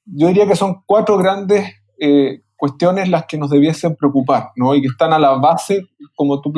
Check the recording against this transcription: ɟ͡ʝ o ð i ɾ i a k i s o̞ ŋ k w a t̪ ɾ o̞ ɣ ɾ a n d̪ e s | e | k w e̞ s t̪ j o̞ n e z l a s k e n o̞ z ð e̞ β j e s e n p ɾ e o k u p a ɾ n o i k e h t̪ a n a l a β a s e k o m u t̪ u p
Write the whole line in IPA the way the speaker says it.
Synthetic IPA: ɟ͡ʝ o ð i ɾ i a k e s o̞ ŋ k w a t̪ ɾ o̞ ɣ ɾ a n d̪ e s | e | k w e̞ s t̪ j o̞ n e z l a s k e n o̞ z ð e̞ β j e s e m p ɾ e o k u p a ɾ n o i k e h t̪ a n a l a β a s e k o m o t̪ u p